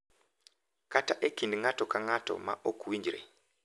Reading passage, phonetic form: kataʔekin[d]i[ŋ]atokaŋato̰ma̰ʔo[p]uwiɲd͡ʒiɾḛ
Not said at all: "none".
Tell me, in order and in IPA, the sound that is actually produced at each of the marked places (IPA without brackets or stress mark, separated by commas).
d, ŋ, k